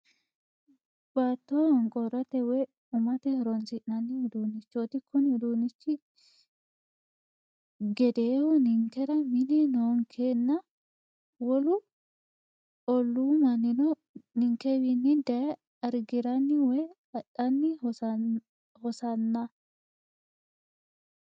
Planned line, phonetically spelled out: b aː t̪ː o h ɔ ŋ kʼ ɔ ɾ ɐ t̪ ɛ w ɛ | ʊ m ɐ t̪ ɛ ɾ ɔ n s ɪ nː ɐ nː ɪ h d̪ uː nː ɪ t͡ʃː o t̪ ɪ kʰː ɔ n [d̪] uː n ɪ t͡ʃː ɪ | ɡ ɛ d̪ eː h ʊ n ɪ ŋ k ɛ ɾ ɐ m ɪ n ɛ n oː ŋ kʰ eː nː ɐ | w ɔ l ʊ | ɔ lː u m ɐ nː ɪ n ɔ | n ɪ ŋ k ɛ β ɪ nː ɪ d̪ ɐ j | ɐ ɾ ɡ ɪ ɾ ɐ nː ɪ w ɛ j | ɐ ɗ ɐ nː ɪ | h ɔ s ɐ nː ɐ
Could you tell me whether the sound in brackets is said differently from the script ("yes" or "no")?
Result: no